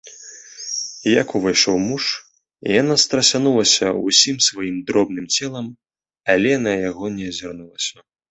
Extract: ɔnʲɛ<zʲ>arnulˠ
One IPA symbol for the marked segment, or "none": zʲ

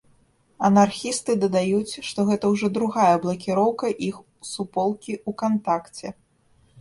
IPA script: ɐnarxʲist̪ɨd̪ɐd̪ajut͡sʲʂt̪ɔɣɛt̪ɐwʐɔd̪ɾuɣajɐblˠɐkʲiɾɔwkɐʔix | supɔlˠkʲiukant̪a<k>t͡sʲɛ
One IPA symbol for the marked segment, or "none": k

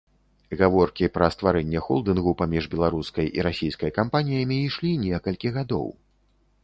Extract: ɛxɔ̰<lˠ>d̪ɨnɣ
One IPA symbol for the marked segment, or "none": lˠ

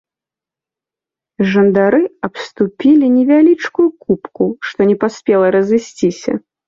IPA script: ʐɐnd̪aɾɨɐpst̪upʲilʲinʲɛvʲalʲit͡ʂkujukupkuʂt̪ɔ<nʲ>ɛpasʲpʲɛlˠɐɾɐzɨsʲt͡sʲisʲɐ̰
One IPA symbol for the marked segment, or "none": nʲ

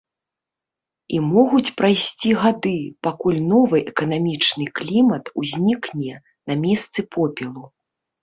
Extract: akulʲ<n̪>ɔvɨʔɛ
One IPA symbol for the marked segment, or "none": n̪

